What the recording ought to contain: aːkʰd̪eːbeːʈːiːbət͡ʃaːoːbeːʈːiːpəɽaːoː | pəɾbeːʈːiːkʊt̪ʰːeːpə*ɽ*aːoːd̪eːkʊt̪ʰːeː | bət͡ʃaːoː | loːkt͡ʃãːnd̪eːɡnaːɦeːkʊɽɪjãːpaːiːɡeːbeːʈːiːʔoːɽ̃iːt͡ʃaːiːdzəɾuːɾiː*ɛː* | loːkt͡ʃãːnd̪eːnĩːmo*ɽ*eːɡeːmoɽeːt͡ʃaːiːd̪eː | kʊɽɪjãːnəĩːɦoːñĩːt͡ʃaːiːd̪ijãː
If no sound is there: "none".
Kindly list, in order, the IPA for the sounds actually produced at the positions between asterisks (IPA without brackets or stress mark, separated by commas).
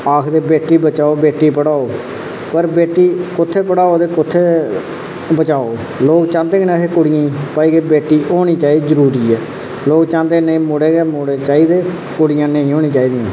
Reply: ɽ, ɛː, ɽ